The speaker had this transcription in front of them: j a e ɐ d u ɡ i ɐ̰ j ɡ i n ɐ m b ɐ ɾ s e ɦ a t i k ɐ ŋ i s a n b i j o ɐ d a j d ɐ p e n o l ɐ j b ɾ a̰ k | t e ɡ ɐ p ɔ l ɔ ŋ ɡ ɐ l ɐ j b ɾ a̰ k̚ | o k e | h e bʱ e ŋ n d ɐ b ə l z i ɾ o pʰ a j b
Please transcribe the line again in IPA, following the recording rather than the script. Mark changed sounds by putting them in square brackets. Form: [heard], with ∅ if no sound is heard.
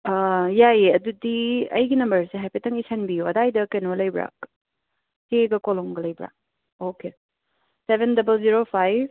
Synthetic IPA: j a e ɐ d u [d] i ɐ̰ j ɡ i n ɐ m b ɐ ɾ s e ɦ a [p] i [t] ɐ ŋ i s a n b i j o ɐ d a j d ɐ [k] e n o l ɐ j b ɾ a̰ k | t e ɡ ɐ [k] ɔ l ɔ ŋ ɡ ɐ l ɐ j b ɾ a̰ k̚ | o k e | [s] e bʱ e [∅] n d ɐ b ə l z i ɾ o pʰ a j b